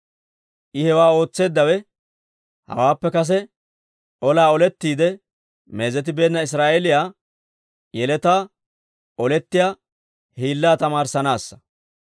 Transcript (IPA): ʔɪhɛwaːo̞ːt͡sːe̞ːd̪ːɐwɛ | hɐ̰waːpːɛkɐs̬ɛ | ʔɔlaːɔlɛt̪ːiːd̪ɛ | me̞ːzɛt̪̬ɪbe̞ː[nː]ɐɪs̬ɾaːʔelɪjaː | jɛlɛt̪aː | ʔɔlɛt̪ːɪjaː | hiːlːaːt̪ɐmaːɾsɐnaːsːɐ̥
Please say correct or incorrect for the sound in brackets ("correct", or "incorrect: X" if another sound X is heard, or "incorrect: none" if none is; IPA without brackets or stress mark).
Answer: correct